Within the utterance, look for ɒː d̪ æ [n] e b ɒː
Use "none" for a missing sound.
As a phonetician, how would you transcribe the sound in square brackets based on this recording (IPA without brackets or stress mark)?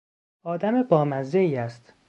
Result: m